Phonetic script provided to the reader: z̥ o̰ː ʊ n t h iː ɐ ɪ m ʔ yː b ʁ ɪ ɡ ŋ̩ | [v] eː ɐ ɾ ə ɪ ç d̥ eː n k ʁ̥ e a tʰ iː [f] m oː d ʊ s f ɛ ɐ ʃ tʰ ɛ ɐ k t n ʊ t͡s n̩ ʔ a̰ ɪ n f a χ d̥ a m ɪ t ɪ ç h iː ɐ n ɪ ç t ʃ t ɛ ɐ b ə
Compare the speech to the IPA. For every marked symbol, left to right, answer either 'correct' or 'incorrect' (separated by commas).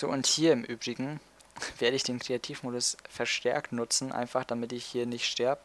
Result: correct, correct